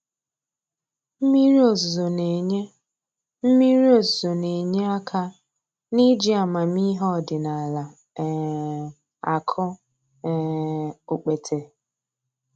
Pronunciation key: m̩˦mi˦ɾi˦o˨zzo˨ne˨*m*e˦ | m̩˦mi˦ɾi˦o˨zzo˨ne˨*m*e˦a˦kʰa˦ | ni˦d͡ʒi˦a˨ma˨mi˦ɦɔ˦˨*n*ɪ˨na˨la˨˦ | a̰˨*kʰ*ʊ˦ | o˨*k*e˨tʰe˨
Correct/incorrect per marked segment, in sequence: incorrect: ɲ, incorrect: ɲ, incorrect: d, correct, incorrect: k͡p

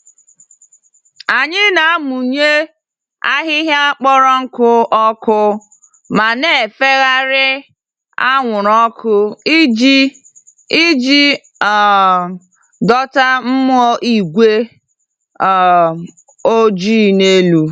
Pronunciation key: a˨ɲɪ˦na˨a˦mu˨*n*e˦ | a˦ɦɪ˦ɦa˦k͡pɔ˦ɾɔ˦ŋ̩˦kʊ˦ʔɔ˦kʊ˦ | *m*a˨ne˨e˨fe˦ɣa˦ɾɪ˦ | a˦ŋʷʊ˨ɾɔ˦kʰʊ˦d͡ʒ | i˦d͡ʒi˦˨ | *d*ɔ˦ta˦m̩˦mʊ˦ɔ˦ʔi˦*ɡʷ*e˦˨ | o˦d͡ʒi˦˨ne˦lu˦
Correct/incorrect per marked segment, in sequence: incorrect: ɲ, correct, correct, correct

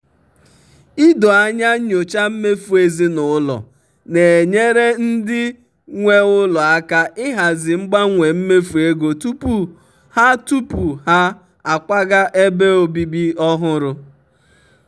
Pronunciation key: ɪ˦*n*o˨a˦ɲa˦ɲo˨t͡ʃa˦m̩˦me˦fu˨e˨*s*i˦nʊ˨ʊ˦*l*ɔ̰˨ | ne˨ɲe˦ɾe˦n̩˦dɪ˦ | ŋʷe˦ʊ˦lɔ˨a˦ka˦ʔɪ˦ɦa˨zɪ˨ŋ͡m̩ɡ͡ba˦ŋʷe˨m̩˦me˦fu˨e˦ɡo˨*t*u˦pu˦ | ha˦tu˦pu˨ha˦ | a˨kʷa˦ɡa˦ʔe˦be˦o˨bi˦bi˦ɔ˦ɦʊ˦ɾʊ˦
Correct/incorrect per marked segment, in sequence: incorrect: d, incorrect: z, correct, correct

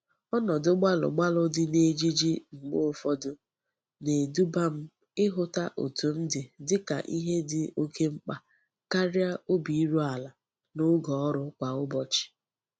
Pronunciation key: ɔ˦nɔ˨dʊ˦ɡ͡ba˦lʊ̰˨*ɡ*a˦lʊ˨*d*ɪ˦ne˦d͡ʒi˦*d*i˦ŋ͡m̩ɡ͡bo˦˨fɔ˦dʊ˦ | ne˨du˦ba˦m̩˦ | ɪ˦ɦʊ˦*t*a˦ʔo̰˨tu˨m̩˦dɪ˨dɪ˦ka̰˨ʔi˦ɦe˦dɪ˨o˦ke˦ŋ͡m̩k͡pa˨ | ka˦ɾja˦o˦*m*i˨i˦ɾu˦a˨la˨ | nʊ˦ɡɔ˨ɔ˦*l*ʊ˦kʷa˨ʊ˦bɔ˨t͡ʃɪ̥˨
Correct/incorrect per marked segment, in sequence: incorrect: ɡ͡b, correct, incorrect: d͡ʒ, correct, incorrect: b, incorrect: ɾ

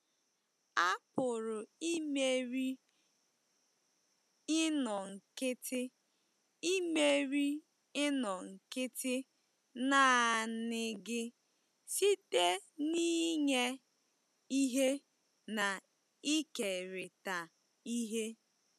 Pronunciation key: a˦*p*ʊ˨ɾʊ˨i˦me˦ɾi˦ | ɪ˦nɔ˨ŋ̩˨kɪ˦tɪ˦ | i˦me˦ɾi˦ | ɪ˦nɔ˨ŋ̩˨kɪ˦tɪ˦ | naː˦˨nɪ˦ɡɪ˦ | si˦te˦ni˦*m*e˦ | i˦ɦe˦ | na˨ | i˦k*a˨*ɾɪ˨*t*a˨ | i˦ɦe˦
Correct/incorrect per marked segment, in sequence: correct, incorrect: ɲ, incorrect: e˨, correct

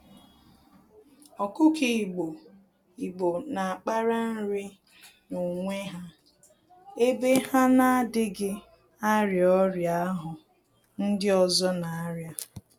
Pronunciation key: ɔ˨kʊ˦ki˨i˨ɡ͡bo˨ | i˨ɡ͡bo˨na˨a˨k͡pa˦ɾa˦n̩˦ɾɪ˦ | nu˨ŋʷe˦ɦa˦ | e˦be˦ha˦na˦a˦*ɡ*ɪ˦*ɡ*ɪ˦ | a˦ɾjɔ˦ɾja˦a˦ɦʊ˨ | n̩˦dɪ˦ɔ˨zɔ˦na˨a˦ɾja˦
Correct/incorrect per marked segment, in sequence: incorrect: d, correct

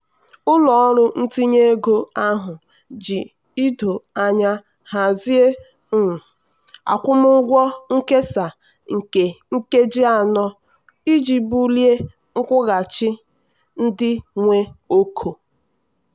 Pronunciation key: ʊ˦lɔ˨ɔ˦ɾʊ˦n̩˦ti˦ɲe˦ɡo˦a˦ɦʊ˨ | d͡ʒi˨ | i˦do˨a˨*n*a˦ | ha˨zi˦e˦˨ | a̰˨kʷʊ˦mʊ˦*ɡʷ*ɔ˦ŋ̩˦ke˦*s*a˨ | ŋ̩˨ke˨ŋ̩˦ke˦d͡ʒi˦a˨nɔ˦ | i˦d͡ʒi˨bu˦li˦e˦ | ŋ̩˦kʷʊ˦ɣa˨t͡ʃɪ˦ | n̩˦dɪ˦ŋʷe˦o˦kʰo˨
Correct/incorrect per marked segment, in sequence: incorrect: ɲ, correct, correct

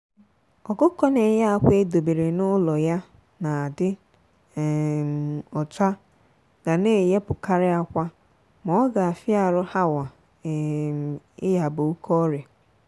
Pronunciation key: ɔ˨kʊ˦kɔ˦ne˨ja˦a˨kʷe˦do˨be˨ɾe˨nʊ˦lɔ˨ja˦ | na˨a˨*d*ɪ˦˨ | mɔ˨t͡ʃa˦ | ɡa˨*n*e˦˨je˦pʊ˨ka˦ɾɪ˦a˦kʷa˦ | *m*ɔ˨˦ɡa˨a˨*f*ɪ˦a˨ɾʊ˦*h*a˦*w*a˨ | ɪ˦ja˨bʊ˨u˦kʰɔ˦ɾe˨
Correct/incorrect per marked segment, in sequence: correct, correct, correct, correct, correct, correct

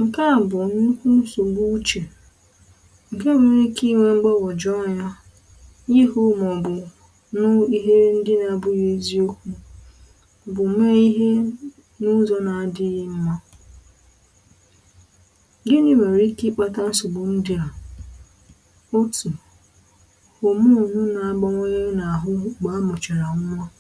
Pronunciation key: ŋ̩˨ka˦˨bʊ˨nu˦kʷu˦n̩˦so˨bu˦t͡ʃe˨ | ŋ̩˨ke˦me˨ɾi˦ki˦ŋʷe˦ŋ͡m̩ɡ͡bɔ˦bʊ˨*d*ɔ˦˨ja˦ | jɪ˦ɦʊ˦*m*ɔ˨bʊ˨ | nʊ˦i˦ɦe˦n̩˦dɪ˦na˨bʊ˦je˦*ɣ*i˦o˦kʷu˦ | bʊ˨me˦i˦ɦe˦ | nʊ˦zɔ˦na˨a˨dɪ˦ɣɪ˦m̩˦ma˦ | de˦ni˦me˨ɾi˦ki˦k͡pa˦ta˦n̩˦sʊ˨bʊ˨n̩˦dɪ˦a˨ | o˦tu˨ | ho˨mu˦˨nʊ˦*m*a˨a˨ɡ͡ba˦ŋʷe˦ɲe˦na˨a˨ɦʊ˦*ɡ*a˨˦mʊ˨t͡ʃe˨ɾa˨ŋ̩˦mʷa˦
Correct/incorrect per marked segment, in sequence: incorrect: d͡ʒ, correct, incorrect: z, incorrect: n, incorrect: ɡ͡b

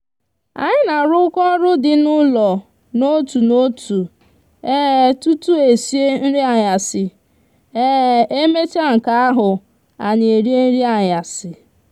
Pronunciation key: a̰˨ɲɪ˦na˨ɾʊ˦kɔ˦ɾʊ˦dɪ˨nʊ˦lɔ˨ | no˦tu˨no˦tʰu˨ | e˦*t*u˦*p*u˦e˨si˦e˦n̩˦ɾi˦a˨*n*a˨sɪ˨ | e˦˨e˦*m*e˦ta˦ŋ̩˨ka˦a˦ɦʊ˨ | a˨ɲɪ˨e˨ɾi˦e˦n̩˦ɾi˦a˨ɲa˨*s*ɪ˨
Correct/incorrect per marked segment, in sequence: correct, incorrect: t, incorrect: ɲ, correct, correct

